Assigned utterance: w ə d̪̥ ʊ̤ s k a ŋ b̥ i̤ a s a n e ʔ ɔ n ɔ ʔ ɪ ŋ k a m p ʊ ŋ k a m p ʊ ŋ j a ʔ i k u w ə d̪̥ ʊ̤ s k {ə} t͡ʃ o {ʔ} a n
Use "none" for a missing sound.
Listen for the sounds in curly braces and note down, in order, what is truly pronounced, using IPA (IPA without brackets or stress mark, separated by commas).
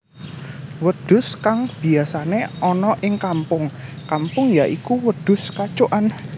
a, ʔ